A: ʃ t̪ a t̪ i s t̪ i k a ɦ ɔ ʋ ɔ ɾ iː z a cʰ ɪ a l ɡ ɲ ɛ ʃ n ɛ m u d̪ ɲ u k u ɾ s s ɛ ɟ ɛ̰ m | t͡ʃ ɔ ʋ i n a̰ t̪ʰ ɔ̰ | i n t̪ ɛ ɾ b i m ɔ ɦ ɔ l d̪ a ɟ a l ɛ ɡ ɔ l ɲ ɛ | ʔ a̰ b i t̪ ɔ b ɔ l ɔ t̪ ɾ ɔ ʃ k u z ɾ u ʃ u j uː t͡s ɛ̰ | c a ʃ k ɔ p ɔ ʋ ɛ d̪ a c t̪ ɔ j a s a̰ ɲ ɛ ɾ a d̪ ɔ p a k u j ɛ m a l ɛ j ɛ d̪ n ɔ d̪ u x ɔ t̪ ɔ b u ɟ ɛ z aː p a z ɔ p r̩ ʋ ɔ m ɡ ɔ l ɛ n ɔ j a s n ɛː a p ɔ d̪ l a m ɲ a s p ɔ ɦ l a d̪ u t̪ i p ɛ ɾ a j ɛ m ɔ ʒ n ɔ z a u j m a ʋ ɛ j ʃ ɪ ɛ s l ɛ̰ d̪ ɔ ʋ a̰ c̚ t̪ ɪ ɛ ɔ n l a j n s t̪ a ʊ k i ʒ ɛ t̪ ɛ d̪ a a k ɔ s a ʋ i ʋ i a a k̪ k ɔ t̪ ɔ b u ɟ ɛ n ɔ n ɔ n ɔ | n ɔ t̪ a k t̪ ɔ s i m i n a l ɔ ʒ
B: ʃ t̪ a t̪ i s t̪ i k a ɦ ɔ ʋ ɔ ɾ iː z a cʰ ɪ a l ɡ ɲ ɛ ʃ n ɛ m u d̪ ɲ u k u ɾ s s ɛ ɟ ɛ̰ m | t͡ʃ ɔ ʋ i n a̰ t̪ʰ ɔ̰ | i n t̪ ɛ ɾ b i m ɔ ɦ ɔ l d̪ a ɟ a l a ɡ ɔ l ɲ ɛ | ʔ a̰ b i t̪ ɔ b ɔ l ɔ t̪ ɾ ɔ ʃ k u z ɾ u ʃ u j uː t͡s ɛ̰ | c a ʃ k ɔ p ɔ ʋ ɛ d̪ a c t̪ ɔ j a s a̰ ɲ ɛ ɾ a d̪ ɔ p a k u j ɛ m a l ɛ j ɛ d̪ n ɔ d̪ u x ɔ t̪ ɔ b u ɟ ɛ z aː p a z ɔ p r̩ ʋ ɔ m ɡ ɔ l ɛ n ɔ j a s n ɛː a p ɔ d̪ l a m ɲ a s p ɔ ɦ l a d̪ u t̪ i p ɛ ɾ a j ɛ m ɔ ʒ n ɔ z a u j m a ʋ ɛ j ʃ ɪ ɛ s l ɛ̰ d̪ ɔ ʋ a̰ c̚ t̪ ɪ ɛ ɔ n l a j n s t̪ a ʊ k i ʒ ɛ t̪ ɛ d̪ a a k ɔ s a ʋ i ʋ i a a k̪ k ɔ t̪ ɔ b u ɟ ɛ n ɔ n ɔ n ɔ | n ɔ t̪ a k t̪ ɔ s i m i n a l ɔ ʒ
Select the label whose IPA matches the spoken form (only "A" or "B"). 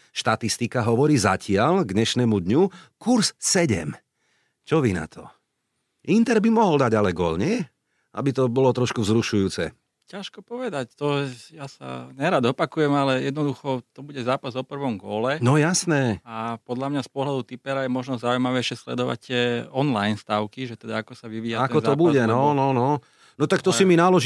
A